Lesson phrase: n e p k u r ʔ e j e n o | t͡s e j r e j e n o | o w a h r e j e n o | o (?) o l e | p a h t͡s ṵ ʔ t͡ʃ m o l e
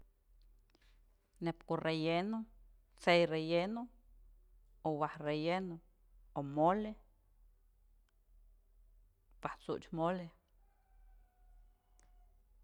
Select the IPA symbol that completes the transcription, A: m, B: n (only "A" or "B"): A